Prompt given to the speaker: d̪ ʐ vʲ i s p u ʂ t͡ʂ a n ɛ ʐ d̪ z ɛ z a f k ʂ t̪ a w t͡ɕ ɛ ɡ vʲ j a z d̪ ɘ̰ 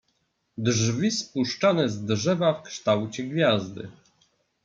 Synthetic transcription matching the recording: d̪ ʐ vʲ i s p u ʂ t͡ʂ a n ɛ z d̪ ʐ ɛ v a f k ʂ t̪ a w t͡ɕ ɛ ɡ vʲ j a z d̪ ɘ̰